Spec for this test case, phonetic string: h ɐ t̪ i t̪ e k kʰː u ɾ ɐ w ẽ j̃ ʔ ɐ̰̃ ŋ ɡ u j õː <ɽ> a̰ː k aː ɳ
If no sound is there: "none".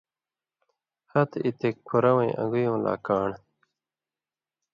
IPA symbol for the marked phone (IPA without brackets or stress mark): l